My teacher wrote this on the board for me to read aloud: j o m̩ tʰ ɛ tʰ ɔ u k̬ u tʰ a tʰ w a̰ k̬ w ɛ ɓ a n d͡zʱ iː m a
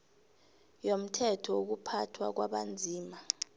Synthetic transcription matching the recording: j o m̩ tʰ ɛ tʰ ɔ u k̬ u pʰ a tʰ w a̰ k̬ w a ɓ a n d͡zʱ iː m a